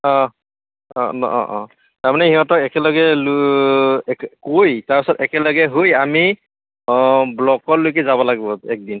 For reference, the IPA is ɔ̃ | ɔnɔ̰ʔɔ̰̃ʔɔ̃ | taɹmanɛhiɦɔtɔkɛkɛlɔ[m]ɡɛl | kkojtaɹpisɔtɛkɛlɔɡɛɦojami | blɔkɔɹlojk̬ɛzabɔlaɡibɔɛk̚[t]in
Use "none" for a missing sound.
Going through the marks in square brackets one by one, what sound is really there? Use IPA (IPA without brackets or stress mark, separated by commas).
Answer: none, d